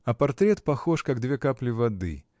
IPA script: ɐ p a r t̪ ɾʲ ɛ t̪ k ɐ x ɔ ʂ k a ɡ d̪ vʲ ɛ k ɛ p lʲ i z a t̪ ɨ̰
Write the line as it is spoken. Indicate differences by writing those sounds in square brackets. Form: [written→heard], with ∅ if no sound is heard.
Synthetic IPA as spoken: ɐ p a r t̪ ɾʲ ɛ t̪ [k→p] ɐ x ɔ ʂ k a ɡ d̪ vʲ ɛ k [ɛ→a] p lʲ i [z→v] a [t̪→d̪] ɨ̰